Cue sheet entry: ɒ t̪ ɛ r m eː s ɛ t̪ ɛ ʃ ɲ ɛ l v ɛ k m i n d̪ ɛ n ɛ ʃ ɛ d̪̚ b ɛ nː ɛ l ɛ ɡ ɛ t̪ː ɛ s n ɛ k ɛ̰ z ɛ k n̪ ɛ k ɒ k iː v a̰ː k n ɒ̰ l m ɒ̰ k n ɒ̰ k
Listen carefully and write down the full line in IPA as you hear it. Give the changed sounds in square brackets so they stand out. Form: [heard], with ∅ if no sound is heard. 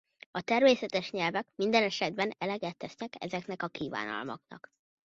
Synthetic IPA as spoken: ɒ t̪ ɛ r m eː s ɛ t̪ ɛ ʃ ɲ ɛ l v ɛ k m i n d̪ ɛ n ɛ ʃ ɛ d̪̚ b ɛ [n] ɛ l ɛ ɡ ɛ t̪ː ɛ s n ɛ k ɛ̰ z ɛ k n̪ ɛ k ɒ k iː v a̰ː [∅] n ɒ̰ l m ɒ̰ k n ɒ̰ k